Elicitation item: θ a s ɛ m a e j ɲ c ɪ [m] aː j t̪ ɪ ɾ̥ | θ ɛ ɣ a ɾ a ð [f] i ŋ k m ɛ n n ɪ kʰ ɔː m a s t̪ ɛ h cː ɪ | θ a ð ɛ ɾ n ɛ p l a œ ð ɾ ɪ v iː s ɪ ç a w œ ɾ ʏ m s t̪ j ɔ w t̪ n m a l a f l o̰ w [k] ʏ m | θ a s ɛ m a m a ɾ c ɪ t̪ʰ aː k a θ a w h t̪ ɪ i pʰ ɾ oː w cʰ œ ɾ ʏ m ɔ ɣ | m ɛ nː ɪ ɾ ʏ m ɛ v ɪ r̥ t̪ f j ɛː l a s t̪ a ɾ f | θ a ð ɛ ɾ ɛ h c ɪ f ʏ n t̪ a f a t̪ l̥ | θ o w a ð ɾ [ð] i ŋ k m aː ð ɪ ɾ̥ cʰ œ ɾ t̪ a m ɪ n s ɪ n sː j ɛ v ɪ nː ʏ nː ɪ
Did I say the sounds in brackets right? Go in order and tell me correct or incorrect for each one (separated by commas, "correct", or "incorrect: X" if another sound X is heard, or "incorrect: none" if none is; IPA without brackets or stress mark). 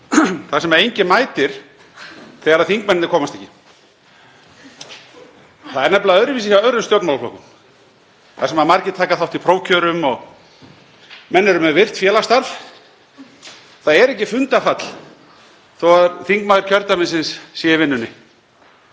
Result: correct, incorrect: θ, correct, incorrect: θ